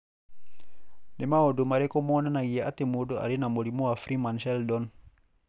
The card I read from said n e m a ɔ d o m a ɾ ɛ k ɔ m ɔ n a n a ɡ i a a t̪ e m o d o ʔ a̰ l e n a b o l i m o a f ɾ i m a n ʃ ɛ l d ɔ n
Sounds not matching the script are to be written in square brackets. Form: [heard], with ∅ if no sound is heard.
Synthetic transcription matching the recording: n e m a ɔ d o m a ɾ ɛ k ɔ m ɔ n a n a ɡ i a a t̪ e m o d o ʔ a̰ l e n a [m] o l i m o a f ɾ i m a n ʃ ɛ l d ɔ n